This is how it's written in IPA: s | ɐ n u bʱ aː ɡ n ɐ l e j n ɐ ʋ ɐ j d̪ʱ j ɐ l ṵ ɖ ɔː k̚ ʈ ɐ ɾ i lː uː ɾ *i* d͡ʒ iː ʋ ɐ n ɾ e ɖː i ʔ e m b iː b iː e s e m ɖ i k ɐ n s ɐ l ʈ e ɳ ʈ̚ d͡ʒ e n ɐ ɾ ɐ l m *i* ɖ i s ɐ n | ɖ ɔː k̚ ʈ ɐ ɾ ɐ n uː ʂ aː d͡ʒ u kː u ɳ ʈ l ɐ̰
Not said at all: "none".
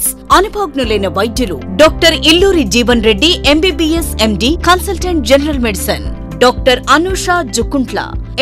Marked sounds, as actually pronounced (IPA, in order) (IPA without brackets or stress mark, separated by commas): i, e